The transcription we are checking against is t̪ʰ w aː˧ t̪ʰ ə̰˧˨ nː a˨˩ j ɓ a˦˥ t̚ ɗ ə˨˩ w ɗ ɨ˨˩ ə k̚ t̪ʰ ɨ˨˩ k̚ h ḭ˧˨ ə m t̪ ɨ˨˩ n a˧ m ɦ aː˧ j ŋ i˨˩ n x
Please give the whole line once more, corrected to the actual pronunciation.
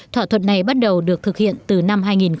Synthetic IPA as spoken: t̪ʰ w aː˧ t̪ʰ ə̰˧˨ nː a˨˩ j ɓ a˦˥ t̚ ɗ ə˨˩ w ɗ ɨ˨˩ ə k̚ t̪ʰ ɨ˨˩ k̚ h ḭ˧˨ ə n t̪ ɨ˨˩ n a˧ m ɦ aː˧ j ŋ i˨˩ n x